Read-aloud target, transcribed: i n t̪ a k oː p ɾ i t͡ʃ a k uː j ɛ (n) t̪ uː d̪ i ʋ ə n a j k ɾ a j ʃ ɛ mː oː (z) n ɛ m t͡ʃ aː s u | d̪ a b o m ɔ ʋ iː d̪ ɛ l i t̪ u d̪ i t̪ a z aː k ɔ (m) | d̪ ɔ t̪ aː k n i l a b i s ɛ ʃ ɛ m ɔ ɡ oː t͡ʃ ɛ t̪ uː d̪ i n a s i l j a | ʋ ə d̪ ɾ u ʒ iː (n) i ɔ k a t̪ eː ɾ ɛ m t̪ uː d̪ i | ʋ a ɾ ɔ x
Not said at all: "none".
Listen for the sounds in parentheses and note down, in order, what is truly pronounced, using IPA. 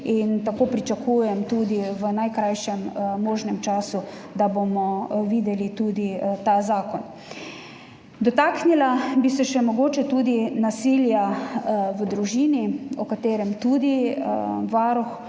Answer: m, ʒ, n, n

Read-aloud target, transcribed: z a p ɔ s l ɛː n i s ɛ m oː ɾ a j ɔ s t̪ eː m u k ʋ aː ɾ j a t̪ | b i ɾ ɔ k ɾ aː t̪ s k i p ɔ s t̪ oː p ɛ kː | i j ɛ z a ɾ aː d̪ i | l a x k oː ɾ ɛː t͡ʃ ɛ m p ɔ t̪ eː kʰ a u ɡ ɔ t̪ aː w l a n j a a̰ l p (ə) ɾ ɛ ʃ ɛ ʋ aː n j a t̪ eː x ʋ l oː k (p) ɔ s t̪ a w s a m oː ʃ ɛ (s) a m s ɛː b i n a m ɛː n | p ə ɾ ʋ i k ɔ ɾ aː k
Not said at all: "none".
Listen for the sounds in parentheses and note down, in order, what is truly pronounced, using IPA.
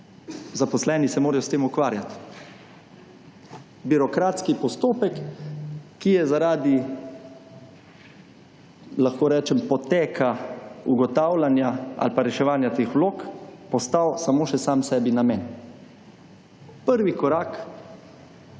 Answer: a, p, s

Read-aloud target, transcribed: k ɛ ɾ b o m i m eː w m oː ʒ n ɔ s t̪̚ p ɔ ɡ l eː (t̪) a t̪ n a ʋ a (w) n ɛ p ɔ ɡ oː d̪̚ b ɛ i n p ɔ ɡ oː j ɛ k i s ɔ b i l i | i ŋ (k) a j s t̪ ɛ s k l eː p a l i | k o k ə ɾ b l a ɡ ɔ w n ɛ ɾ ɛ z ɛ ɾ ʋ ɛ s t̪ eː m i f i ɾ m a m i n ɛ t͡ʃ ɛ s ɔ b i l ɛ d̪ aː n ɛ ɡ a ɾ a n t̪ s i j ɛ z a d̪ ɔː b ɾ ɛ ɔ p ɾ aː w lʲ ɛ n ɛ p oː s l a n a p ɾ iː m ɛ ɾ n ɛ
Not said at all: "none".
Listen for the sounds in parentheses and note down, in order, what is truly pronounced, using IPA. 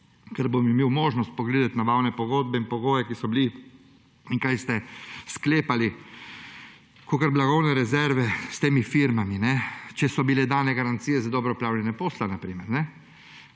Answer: d̪, w, k

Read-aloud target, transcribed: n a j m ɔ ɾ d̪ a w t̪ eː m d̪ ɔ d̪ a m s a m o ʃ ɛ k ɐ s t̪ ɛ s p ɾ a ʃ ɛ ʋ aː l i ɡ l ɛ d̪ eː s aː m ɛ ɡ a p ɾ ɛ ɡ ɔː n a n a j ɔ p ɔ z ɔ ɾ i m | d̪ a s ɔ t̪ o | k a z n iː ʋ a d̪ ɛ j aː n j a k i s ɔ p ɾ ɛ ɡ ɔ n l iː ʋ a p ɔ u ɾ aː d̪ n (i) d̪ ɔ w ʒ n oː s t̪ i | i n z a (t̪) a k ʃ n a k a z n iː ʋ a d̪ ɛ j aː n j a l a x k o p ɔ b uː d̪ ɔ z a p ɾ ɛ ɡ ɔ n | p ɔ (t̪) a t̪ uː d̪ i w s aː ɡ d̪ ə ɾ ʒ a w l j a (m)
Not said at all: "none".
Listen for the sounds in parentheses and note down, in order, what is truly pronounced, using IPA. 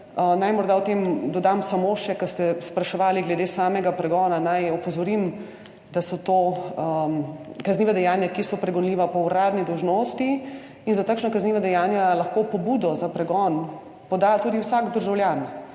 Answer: i, t̪, d̪, n

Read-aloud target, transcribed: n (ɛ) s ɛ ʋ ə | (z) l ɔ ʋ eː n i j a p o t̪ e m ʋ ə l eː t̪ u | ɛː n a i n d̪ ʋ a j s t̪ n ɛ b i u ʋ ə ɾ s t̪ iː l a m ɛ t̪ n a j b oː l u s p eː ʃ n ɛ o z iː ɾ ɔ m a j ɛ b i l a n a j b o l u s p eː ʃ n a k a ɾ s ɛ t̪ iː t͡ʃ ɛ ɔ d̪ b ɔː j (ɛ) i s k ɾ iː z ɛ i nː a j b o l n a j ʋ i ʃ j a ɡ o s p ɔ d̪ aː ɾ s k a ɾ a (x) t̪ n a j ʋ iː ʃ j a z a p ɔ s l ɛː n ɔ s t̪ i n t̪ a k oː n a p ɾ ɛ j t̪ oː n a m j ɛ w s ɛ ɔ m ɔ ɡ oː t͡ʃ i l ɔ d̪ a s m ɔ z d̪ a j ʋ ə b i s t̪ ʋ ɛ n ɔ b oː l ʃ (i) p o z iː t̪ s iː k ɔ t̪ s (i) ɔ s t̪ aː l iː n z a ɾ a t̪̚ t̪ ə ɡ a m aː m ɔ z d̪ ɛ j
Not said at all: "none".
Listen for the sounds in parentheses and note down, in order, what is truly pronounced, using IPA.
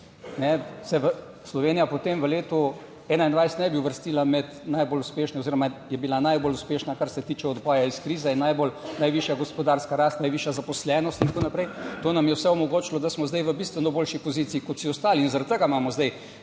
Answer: ɛ, s, a, s, i, i

